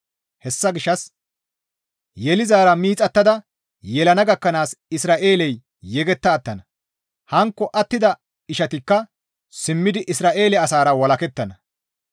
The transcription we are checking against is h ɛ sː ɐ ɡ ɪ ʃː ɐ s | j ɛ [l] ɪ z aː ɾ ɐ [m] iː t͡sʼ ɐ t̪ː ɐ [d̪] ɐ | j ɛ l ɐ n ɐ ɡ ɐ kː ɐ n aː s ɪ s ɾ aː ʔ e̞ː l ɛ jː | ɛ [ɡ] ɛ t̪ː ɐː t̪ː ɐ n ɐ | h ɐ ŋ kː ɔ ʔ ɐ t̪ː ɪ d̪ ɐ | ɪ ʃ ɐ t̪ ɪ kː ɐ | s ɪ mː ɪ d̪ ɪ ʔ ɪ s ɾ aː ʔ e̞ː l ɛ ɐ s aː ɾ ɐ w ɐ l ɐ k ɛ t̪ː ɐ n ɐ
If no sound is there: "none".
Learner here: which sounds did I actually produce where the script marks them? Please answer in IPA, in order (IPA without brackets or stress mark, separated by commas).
l, m, d̪, ɡ